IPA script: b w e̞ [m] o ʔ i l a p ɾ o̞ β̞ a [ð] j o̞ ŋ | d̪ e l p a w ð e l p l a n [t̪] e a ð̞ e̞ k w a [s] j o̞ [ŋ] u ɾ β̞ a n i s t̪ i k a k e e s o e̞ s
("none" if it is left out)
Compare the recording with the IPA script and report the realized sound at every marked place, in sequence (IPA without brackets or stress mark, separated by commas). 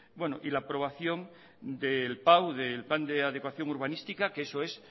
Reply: n, θ, d̪, θ, ŋ